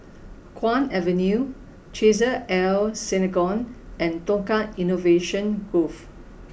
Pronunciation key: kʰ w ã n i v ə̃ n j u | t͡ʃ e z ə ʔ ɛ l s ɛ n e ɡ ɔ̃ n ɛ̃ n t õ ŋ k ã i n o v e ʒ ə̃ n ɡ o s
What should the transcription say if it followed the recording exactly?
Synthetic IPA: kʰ w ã n ɛ v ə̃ n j u | t͡ʃ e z ə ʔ ɛ l s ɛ n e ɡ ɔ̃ n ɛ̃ n t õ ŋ k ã i n o v e ʃ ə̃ n ɡ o f